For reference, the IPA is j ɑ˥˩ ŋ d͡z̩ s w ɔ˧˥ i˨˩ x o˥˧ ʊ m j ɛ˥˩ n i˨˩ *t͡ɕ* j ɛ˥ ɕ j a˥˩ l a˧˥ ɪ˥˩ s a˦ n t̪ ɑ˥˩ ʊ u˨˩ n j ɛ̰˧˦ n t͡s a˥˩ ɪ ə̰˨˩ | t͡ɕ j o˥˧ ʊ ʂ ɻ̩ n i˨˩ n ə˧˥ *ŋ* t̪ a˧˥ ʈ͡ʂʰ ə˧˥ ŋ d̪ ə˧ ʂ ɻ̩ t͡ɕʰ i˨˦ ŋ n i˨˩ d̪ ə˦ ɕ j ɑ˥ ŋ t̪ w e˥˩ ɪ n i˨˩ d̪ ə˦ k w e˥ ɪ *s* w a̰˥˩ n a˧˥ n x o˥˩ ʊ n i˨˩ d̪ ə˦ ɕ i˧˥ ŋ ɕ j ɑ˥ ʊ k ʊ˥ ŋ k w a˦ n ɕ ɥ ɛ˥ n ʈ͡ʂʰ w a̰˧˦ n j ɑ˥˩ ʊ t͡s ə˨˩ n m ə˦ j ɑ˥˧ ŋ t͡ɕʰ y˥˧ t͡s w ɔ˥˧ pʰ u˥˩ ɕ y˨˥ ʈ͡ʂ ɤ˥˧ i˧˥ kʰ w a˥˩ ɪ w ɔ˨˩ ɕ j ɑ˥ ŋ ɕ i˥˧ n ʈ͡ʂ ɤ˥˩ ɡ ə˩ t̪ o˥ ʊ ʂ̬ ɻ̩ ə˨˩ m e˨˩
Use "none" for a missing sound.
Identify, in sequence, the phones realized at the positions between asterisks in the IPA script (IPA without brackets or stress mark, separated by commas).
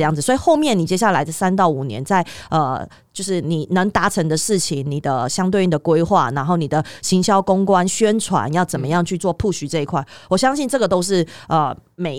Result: t͡ɕ, ŋ, x